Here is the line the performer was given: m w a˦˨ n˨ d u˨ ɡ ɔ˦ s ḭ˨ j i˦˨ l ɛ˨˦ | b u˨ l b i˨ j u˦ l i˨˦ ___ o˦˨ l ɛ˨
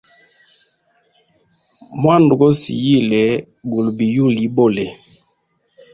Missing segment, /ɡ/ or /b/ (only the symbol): b